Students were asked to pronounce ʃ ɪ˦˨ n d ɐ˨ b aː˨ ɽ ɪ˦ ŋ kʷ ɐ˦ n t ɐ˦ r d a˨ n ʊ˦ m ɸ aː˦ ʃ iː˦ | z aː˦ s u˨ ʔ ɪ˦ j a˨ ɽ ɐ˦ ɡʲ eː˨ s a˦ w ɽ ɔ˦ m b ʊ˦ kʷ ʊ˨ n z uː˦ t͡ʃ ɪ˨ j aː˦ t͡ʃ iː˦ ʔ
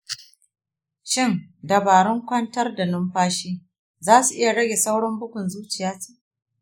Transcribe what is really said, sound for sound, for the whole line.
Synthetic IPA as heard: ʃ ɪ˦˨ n d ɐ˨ b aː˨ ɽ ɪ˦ ŋ kʷ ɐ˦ n t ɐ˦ r d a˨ n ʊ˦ m ɸ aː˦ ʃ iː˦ | z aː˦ s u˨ ʔ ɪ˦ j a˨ ɽ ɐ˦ ɡʲ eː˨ s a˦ w ɽ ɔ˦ m b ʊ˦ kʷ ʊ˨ n z uː˦ t͡ʃ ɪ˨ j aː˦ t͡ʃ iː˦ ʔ